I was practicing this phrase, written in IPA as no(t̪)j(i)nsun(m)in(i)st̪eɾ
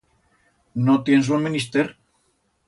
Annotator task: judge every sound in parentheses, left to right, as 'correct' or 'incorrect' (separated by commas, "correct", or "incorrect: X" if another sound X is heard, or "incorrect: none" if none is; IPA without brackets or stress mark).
correct, incorrect: e, correct, correct